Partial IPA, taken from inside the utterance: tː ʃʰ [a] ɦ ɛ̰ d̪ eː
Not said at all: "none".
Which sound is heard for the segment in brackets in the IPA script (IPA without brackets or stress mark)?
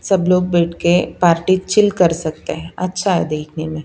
a